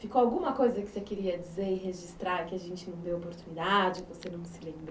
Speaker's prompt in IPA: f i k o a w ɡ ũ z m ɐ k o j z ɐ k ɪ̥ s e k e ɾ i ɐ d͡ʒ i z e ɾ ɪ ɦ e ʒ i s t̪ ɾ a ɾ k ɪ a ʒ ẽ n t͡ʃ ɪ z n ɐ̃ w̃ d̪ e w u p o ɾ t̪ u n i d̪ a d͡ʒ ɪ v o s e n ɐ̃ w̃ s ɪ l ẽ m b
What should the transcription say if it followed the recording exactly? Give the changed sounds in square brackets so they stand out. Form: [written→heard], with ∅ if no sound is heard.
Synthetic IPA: f i k o a w ɡ ũ [z→∅] m ɐ k o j z ɐ k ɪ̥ s e k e ɾ i ɐ d͡ʒ i z e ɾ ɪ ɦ e ʒ i s t̪ ɾ a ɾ k ɪ a ʒ ẽ n t͡ʃ ɪ [z→∅] n ɐ̃ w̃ d̪ e w [u→o] p o ɾ t̪ u n i d̪ a d͡ʒ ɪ v o s e n ɐ̃ w̃ s ɪ l ẽ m b